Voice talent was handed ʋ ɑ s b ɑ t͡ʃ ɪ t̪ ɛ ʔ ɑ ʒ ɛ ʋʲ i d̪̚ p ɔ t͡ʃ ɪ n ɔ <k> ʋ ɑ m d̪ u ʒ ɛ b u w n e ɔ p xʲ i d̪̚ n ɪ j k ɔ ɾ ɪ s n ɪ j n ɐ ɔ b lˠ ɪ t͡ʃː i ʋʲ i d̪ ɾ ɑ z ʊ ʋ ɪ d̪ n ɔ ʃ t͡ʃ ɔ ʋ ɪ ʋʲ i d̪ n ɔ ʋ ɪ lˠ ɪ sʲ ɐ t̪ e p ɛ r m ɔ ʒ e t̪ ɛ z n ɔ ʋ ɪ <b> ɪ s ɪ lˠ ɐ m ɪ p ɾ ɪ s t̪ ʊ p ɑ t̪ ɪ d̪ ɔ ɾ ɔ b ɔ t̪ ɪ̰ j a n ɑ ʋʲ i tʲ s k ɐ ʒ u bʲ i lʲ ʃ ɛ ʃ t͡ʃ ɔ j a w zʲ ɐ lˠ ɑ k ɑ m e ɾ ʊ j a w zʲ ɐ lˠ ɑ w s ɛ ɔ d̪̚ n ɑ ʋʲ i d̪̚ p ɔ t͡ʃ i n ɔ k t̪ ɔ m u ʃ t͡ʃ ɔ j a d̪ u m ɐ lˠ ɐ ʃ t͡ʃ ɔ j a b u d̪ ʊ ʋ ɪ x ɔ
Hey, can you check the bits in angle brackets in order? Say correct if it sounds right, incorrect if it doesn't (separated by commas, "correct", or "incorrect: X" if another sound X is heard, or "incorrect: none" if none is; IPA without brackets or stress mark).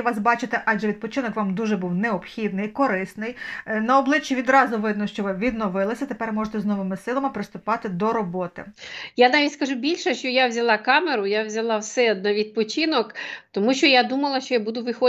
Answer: correct, incorrect: m